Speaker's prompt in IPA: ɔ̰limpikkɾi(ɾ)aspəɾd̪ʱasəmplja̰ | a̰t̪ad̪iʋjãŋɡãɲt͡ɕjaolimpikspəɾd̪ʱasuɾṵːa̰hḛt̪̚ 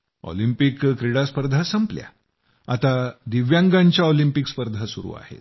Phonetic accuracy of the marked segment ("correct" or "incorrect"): incorrect